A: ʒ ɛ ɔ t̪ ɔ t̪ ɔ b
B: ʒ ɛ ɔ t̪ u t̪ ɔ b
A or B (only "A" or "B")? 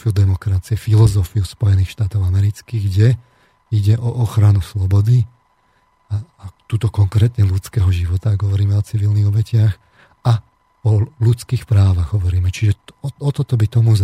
A